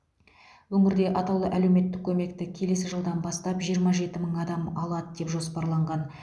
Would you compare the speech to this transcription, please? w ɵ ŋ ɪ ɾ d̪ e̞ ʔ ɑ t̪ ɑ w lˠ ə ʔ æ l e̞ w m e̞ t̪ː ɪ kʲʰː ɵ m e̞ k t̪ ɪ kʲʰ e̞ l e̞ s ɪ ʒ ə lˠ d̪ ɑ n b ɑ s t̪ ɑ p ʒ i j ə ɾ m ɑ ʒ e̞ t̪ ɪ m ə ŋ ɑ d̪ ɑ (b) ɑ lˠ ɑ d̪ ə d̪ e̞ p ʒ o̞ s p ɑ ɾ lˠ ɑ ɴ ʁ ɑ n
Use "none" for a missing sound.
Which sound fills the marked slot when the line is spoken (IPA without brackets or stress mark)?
m